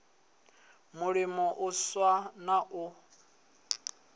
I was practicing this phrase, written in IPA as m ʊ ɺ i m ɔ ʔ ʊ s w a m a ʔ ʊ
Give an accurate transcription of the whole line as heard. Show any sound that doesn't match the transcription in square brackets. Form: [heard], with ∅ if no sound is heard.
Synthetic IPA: m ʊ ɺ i m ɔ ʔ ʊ s w a [n] a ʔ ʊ